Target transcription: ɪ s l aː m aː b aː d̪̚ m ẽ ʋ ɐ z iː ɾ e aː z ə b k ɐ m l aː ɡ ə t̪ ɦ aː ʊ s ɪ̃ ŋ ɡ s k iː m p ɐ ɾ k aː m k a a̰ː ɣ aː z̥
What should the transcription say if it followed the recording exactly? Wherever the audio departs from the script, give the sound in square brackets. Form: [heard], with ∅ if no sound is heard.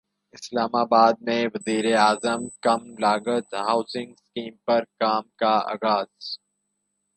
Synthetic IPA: ɪ s l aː m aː b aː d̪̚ m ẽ ʋ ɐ z iː ɾ e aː z ə [m] k ɐ m l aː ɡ ə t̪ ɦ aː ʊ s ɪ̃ ŋ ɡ s k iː m p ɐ ɾ k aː m k a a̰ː ɣ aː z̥